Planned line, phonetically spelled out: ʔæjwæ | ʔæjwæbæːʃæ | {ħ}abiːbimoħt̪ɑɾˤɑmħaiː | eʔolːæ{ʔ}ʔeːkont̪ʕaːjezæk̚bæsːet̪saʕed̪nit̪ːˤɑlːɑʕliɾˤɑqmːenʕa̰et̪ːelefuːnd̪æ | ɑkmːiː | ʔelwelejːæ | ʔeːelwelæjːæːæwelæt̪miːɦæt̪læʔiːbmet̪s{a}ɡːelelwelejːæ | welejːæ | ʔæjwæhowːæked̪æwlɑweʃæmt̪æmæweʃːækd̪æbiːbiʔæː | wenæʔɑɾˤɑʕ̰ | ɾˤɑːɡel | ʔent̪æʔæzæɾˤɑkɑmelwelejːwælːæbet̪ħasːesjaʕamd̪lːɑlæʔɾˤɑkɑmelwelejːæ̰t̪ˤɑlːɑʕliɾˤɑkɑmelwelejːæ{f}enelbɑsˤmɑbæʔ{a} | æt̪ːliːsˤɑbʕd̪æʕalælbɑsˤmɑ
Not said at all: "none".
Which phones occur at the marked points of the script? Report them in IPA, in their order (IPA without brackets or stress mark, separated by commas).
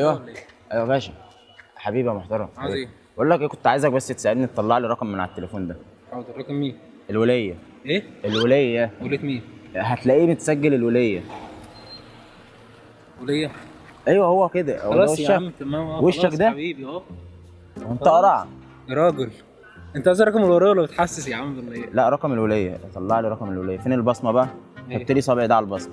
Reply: ħ, k, æ, f, æ